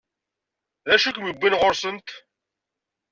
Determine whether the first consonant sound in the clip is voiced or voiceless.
voiced